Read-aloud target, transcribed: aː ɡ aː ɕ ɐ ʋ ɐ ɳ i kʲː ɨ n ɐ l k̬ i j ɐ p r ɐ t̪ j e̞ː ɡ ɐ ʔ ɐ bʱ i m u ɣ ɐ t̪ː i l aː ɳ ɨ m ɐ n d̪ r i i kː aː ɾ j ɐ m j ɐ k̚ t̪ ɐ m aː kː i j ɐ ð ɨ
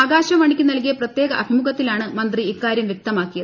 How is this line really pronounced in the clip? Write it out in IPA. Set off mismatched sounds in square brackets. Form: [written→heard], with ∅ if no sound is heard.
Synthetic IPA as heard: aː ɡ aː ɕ ɐ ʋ ɐ ɳ i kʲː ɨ n ɐ l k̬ i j ɐ p r ɐ t̪ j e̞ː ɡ ɐ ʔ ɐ bʱ i m u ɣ ɐ t̪ː i l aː ɳ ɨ m ɐ n d̪ r i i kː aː ɾ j ɐ m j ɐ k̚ t̪ ɐ m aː kː i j ɐ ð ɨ